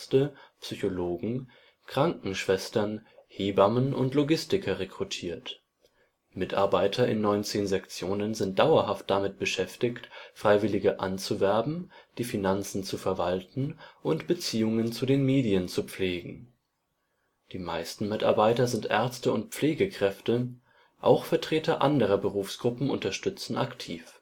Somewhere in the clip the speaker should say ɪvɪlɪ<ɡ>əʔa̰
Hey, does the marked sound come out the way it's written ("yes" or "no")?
yes